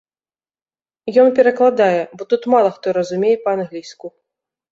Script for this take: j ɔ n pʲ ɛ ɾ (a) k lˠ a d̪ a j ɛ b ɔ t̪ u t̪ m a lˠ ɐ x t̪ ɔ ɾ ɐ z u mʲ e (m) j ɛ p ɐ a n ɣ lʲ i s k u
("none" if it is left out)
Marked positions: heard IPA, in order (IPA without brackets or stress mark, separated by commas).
ɐ, none